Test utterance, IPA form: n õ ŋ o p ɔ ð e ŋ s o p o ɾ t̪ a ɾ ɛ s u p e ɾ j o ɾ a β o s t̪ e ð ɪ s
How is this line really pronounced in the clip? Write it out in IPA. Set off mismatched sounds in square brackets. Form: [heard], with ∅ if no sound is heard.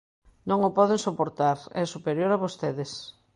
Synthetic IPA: n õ ŋ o p ɔ ð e ŋ s o p o ɾ t̪ a ɾ ɛ s u p e ɾ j o ɾ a β o s t̪ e ð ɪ s

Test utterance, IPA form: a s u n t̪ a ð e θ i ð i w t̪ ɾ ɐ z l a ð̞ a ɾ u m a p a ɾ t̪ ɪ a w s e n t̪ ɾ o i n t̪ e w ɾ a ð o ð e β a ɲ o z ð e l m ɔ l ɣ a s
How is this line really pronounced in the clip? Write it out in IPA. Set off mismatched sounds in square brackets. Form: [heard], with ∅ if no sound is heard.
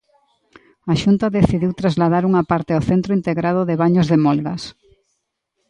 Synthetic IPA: a [ʃ] u n t̪ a ð e θ i ð i w t̪ ɾ [a] z l a ð̞ a ɾ u [ŋ] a p a ɾ t̪ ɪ a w [θ] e n t̪ ɾ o i n t̪ e [ɣ] ɾ a ð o ð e β a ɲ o z ð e [∅] m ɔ l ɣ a s

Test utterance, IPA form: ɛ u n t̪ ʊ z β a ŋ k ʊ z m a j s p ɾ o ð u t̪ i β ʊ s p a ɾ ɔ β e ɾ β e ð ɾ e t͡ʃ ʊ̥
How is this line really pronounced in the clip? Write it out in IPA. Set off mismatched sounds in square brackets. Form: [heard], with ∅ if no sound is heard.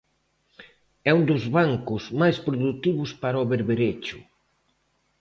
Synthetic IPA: ɛ u n [d̪] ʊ z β a ŋ k ʊ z m a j s p ɾ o ð u t̪ i β ʊ s p a ɾ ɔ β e ɾ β e [∅] ɾ e t͡ʃ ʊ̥

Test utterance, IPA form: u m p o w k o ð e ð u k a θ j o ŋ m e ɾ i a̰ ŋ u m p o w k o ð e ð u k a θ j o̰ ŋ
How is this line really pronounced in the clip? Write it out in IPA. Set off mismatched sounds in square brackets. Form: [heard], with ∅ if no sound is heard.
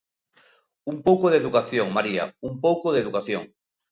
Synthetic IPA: u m p o w k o ð e ð u k a θ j o ŋ m [a] ɾ i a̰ [∅] u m p o w k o ð e ð u k a θ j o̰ ŋ

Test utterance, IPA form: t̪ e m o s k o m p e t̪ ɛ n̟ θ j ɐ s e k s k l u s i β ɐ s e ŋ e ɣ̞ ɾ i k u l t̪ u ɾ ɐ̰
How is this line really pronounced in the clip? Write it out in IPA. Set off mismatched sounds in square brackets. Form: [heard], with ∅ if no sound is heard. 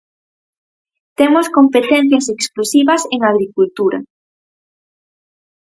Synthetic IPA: t̪ e m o s k o m p e t̪ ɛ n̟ θ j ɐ s e k s k l u s i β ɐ s e ŋ [a] ɣ̞ ɾ i k u l t̪ u ɾ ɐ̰

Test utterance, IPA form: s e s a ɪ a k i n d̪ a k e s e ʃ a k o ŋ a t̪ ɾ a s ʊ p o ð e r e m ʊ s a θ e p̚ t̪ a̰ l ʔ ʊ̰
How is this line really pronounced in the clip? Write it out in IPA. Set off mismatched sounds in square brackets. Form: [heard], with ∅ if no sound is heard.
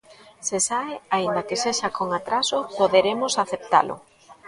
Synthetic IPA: s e s a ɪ a [∅] i n d̪ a k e s e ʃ a k o ŋ a t̪ ɾ a s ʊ p o ð e [ɾ] e m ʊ s a θ e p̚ t̪ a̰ l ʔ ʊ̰

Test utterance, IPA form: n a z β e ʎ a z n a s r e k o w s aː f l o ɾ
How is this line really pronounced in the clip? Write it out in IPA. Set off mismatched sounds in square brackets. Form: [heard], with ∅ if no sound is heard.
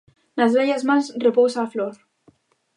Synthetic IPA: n a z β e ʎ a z [m] a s r e [p] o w s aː f l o ɾ

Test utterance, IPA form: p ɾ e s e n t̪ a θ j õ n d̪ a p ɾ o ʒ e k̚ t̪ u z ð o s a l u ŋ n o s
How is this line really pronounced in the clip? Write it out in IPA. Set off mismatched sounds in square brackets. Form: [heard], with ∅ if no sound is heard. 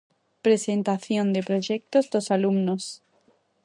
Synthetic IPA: p ɾ e s e n t̪ a θ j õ n d̪ [e] p ɾ o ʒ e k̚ t̪ [o] z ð o s a l u [m] n o s

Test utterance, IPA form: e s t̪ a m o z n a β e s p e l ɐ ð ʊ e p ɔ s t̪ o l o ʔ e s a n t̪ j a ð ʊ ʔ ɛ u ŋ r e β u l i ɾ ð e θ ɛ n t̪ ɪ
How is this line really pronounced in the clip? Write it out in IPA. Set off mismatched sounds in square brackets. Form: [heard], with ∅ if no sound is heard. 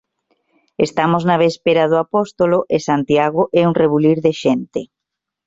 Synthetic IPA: e s t̪ a m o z n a β e s p e [ɾ] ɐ ð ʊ [a] p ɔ s t̪ o l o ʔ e s a n t̪ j a [ɣ] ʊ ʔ ɛ u ŋ r e β u l i ɾ ð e [ʃ] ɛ n t̪ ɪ

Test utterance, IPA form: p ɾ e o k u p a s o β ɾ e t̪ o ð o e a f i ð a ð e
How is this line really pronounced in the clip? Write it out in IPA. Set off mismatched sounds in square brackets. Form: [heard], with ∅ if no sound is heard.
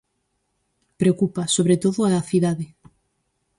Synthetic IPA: p ɾ e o k u p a s o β ɾ e t̪ o ð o [a] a [θ] i ð a ð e

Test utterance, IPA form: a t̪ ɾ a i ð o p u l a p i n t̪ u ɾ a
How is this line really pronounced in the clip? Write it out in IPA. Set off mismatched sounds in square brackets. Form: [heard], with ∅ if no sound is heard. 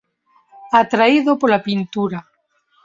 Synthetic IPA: a t̪ ɾ a i ð o p [o] l a p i n t̪ u ɾ a

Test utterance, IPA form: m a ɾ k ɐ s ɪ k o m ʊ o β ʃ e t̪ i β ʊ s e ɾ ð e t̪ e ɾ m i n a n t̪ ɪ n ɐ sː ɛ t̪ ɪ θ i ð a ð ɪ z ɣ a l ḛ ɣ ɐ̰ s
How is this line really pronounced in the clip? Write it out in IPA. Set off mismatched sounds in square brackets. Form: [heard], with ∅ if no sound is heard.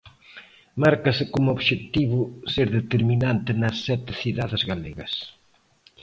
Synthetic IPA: m a ɾ k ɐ s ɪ k o m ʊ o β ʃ e t̪ i β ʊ s e ɾ ð e t̪ e ɾ m i n a n t̪ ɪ n ɐ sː ɛ t̪ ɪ θ i ð a ð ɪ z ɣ a l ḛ ɣ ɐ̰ s

